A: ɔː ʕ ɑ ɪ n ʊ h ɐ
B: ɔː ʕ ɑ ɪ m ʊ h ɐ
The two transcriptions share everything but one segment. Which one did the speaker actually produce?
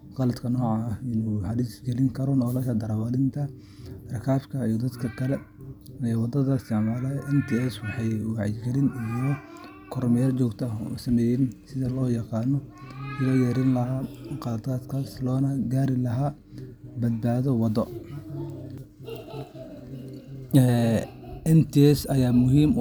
A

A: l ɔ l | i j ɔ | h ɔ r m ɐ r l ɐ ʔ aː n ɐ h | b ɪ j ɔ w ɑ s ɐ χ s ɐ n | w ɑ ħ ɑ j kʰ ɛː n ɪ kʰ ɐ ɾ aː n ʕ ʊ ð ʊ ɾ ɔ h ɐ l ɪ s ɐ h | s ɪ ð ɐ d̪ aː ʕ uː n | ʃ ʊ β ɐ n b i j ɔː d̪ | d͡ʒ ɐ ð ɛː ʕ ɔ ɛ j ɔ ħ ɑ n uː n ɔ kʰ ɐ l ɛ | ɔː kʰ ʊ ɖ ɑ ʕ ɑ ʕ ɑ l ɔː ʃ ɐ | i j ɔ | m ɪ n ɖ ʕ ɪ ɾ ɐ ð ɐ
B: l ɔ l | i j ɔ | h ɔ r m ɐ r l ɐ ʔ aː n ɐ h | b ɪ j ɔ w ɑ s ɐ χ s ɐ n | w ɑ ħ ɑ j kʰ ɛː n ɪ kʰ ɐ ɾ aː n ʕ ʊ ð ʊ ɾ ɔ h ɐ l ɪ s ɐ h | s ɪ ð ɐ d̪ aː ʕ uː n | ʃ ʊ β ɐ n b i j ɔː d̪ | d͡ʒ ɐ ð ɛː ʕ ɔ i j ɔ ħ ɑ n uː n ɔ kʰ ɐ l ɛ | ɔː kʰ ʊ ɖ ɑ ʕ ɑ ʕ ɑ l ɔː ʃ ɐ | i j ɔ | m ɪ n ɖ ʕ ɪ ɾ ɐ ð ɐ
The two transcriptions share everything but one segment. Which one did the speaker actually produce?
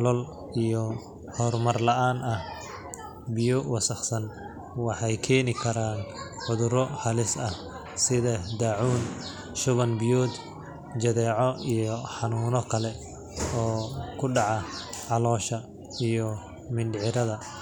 B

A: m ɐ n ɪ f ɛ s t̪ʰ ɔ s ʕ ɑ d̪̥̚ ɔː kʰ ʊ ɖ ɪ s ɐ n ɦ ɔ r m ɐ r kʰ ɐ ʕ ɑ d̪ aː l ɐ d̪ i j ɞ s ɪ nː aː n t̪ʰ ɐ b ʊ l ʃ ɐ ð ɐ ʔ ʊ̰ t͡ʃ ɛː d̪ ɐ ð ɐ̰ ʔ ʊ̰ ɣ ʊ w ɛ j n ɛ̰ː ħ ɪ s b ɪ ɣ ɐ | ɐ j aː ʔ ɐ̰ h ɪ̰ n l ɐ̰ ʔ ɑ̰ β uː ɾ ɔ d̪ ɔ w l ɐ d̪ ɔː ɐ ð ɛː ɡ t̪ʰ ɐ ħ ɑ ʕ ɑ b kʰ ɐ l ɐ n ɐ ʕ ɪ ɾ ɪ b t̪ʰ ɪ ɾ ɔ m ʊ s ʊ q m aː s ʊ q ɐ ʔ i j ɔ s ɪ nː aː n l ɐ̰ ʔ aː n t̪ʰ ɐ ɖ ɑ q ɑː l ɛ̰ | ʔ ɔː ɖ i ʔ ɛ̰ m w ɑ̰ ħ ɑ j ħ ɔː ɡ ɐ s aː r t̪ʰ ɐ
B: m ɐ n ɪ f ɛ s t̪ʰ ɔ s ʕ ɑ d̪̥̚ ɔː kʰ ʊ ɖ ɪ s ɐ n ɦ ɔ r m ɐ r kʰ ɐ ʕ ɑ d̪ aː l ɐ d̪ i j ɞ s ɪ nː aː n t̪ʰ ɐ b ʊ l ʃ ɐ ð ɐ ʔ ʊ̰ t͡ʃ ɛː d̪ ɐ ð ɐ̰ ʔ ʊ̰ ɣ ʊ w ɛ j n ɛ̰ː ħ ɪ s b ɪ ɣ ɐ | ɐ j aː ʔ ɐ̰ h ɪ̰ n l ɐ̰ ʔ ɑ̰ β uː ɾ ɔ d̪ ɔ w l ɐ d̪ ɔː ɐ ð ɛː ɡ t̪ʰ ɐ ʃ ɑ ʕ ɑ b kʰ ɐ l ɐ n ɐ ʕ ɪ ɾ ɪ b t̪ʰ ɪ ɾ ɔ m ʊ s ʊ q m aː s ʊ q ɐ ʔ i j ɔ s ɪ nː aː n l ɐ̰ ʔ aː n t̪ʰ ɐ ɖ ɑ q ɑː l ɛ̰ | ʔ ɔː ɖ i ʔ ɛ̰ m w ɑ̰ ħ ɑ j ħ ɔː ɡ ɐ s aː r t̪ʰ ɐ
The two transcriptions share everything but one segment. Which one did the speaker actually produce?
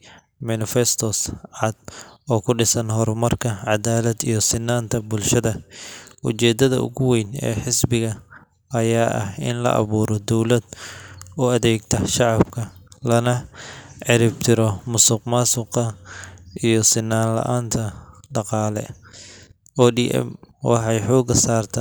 B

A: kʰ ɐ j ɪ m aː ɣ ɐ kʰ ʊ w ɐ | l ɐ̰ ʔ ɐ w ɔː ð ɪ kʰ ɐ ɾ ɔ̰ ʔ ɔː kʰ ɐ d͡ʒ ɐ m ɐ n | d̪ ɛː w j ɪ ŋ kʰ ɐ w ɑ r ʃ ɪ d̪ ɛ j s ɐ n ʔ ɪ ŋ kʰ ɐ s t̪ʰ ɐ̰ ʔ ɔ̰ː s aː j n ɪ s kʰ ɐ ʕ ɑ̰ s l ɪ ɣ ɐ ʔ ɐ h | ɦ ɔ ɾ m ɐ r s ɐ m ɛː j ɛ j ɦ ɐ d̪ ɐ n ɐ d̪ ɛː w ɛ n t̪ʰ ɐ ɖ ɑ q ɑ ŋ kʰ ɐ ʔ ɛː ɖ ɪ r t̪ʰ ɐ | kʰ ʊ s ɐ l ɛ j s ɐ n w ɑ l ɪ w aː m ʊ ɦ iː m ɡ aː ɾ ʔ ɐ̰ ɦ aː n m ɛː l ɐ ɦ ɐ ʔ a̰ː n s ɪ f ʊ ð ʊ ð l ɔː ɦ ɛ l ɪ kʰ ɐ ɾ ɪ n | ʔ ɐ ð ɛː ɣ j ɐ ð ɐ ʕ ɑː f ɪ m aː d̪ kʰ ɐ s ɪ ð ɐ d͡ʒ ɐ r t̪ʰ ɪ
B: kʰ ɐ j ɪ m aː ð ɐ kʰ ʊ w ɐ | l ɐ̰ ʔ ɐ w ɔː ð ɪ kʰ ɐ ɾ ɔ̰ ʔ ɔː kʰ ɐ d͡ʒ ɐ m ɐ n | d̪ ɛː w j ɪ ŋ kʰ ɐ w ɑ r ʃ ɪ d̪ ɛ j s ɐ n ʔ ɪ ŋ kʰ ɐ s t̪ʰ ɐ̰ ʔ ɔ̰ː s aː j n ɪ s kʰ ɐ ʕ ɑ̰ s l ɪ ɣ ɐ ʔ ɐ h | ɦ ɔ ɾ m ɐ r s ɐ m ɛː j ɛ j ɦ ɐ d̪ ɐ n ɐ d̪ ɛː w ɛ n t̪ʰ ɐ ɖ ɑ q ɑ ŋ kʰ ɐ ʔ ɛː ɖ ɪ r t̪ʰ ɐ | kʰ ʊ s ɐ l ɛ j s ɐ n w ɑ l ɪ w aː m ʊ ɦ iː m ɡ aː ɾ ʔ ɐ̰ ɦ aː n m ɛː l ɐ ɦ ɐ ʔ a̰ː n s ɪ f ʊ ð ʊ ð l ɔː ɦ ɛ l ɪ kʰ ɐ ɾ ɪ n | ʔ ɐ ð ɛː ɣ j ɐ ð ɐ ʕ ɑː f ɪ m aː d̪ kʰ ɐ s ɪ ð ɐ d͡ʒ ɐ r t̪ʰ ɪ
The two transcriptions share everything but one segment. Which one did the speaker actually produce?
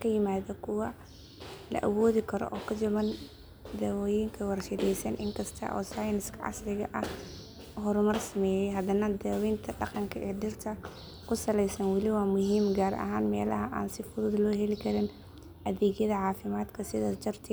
B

